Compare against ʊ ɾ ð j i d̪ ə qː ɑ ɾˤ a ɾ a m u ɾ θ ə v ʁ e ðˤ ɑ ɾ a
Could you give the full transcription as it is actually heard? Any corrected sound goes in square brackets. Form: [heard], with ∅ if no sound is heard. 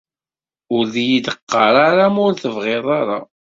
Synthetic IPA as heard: ʊ ɾ ð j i d̪ ə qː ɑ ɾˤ a ɾ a m [ʊ] ɾ θ ə v ʁ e ðˤ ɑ ɾ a